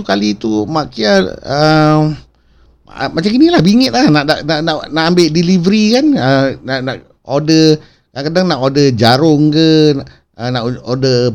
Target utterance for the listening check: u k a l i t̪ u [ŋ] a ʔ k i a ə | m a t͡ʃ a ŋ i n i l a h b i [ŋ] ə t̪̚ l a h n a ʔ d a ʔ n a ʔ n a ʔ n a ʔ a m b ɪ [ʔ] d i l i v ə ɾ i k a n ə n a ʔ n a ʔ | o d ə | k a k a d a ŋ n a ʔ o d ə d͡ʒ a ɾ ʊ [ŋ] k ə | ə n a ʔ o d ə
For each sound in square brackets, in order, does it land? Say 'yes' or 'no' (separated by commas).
no, yes, yes, yes